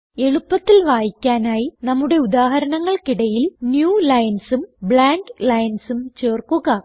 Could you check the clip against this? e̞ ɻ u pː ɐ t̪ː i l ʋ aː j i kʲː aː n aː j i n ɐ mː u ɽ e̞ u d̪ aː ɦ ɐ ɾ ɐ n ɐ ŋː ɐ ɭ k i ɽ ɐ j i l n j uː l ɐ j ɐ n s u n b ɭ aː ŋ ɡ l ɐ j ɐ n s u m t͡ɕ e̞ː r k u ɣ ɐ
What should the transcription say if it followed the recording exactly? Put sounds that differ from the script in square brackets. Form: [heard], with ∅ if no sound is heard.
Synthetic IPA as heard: e̞ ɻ u pː ɐ t̪ː i l ʋ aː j i kʲː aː n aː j i n ɐ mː u ɽ e̞ u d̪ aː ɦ ɐ ɾ ɐ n ɐ ŋː ɐ ɭ k i ɽ ɐ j i l n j uː l ɐ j ɐ n s u [m] b ɭ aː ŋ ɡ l ɐ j ɐ n s u m t͡ɕ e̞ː r k u ɣ ɐ